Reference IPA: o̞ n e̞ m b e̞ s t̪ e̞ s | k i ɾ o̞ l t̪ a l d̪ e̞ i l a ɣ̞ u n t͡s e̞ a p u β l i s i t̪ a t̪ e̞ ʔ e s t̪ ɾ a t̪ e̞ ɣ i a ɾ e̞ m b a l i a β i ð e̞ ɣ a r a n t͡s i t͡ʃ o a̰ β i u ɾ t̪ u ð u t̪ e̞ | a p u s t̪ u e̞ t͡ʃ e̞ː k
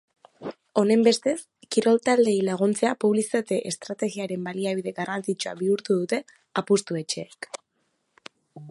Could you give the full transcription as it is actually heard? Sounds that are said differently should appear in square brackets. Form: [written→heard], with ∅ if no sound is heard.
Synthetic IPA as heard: o̞ n e̞ m b e̞ s t̪ e̞ s | k i ɾ o̞ l t̪ a l d̪ e̞ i l a ɣ̞ u n t͡s e̞ a p u β l i s i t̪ a t̪ e̞ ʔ e s t̪ ɾ a t̪ e̞ ɣ i a ɾ e̞ m b a l i a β i ð e̞ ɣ a r a n t͡s i t͡ʃ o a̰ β i u ɾ t̪ u ð u t̪ e̞ | a p u s t̪ u e̞ t͡ʃ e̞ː k